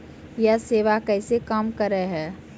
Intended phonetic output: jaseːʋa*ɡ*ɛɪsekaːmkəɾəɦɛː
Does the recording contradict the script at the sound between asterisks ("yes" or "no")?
yes